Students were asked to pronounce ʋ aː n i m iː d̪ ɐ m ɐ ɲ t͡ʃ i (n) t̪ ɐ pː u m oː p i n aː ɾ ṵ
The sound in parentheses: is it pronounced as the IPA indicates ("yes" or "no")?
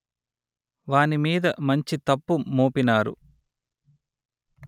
no